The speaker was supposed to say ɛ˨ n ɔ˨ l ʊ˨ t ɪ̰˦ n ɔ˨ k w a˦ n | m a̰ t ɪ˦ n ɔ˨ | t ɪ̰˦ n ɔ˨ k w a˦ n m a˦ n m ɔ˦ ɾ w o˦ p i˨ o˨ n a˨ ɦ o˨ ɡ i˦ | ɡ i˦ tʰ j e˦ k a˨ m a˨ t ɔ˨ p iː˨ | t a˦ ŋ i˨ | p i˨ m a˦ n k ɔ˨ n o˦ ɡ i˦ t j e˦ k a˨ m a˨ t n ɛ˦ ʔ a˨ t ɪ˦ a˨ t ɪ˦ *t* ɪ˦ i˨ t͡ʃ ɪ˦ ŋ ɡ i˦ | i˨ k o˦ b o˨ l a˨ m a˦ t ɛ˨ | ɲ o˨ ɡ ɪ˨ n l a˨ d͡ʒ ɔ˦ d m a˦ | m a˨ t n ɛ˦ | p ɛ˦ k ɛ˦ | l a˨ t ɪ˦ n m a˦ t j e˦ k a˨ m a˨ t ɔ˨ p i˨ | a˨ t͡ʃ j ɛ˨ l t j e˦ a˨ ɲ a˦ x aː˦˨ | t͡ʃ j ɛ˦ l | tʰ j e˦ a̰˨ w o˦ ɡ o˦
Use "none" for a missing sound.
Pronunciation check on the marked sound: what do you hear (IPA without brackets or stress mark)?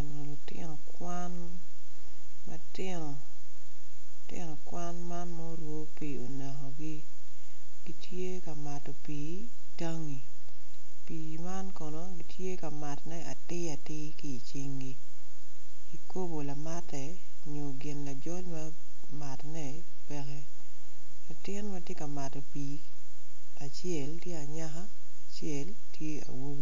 k